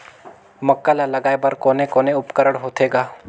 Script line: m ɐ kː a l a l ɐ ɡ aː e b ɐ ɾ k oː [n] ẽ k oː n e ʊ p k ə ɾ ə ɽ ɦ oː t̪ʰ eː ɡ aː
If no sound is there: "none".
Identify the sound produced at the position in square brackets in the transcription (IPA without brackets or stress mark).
n